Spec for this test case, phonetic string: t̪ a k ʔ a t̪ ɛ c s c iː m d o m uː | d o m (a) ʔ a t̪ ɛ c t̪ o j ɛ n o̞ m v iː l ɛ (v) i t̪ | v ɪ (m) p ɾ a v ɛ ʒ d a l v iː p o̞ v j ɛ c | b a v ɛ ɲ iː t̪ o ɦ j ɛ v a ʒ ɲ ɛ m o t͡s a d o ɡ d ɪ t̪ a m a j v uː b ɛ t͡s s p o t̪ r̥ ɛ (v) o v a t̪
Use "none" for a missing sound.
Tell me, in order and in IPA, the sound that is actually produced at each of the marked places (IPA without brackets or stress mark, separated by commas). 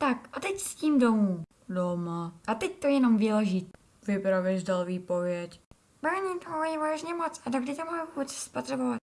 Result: a, ʒ, none, b